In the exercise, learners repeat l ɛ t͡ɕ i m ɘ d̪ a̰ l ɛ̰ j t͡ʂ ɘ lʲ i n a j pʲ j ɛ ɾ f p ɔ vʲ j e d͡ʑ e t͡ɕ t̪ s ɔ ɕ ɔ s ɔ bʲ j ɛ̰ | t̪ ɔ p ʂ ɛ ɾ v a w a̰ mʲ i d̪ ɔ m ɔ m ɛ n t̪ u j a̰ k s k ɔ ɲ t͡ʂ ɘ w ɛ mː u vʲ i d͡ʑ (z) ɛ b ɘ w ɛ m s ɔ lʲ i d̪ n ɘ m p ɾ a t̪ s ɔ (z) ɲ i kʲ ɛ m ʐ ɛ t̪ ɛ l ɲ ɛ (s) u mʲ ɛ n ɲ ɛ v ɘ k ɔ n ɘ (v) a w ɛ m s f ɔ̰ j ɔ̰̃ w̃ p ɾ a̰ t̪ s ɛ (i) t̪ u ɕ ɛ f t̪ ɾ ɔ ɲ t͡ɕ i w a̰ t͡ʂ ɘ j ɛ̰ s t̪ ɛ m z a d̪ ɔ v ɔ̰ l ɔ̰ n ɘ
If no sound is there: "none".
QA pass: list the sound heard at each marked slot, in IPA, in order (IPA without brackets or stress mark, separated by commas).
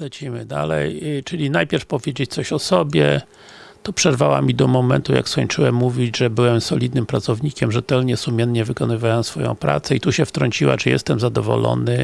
ʐ, v, s, v, i